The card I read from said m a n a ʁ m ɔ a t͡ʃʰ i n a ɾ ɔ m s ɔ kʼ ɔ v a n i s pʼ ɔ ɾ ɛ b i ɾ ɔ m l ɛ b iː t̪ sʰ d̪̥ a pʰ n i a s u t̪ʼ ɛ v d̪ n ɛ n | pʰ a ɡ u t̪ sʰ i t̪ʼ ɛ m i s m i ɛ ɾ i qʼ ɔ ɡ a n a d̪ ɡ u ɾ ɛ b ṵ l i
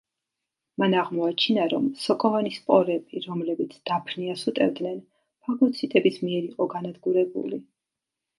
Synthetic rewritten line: m a n a ʁ m ɔ a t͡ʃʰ i n a ɾ ɔ m s ɔ kʼ ɔ v a n i s pʼ ɔ ɾ ɛ b i ɾ ɔ m l ɛ b i t̪ sʰ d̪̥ a pʰ n i a s u t̪ʼ ɛ v d̪ n ɛ n | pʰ a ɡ ɔ t̪ sʰ i t̪ʼ ɛ b i s m i ɛ ɾ i qʼ ɔ ɡ a n a d̪ ɡ u ɾ ɛ b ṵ l i